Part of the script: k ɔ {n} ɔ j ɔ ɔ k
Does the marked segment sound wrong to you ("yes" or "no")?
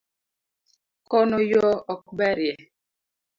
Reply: no